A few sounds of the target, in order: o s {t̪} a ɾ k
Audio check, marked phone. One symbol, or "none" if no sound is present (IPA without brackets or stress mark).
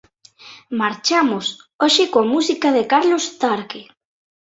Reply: t̪